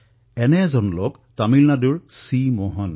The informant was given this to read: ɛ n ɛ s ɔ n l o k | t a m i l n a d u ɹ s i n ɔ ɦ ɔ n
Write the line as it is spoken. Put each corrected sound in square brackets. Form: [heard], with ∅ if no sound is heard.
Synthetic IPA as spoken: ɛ n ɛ [z] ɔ n l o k | t a m i l n a d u ɹ s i [m] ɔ ɦ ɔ n